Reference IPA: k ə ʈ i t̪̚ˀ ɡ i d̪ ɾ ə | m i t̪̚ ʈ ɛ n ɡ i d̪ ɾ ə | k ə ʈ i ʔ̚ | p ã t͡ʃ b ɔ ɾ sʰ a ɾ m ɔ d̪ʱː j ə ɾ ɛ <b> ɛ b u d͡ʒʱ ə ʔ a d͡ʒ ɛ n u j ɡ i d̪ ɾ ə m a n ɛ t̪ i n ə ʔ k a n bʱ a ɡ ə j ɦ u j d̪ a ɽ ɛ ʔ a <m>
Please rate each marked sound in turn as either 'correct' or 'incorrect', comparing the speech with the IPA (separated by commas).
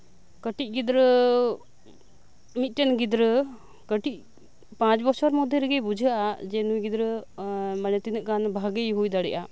incorrect, incorrect